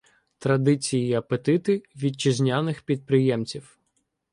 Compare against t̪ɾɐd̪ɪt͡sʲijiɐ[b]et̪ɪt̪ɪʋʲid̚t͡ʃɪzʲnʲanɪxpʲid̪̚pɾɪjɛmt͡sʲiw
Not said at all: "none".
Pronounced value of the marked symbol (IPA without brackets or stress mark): p